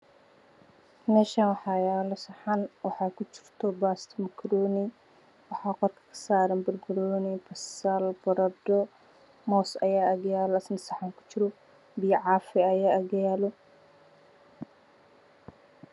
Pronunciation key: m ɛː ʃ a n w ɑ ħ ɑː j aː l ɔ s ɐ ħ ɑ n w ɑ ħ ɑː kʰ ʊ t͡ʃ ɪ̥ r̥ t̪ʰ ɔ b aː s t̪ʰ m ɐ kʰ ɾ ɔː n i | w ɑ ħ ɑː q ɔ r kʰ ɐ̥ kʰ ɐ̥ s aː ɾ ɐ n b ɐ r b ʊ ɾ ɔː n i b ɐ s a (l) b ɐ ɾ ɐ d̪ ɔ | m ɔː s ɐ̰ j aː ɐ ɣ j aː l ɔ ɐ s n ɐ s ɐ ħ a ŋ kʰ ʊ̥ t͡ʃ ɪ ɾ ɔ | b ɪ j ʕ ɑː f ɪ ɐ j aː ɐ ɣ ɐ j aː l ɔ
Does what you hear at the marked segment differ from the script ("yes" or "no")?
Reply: no